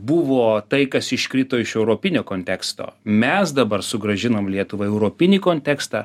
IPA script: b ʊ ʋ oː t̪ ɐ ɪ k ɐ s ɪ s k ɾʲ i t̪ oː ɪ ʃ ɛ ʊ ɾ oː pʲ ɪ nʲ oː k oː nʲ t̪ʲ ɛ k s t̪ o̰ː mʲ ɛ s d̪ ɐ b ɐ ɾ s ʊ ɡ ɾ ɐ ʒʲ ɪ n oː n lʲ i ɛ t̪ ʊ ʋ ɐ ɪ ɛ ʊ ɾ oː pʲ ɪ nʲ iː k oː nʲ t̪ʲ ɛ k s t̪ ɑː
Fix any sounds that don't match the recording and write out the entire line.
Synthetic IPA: b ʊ ʋ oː t̪ ɐ ɪ k ɐ s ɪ ʃ k ɾʲ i t̪ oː ɪ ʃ ɛ ʊ ɾ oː pʲ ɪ nʲ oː k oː nʲ t̪ʲ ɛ k s t̪ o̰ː mʲ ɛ s d̪ ɐ b ɐ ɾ s ʊ ɡ ɾ ɐ ʒʲ ɪ n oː m lʲ i ɛ t̪ ʊ ʋ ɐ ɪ ɛ ʊ ɾ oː pʲ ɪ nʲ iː k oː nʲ t̪ʲ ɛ k s t̪ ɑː